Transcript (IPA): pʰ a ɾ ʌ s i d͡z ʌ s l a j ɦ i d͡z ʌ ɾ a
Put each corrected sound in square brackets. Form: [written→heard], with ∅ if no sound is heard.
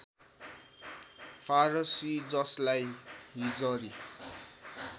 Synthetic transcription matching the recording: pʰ a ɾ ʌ s i d͡z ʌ s l a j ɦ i d͡z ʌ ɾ [a→i]

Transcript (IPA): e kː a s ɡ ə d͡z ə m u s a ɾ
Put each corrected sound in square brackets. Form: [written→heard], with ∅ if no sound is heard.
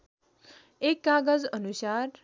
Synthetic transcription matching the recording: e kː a [s→∅] ɡ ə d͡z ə [m→n] u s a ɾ

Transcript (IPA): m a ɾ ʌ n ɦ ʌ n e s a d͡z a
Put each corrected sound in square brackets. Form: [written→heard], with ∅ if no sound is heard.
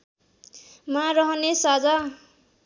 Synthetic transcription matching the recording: m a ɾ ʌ [n→∅] ɦ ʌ n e s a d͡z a

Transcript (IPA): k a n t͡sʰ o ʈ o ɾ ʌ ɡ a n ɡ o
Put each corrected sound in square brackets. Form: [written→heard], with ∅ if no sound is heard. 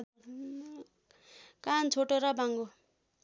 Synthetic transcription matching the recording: k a n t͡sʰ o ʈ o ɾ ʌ [ɡ→b] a [n→ŋ] ɡ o

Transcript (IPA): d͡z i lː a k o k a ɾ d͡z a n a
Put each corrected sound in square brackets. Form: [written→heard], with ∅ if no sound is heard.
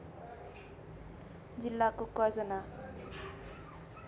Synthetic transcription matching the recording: d͡z i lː a k o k [a→ʌ] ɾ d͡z [a→ʌ] n a

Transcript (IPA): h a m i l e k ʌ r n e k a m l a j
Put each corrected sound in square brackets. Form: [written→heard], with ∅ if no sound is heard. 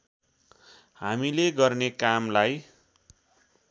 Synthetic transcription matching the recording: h a m i l e [k→ɡ] ʌ r n e k a m l a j

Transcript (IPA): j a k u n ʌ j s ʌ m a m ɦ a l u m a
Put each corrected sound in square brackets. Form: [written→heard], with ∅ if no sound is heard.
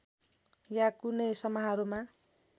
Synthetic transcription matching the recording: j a k u n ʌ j s ʌ m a [m→∅] ɦ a [l→ɾ] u m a

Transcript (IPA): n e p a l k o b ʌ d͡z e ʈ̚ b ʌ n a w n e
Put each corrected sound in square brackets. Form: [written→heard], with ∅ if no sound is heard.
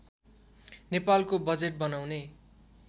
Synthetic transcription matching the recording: n e p a l k o b ʌ d͡z e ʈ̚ b ʌ n a w n e

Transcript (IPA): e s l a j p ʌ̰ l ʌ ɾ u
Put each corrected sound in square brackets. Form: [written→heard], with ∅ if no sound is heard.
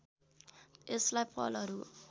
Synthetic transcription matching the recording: e s l a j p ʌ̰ l ʌ ɾ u

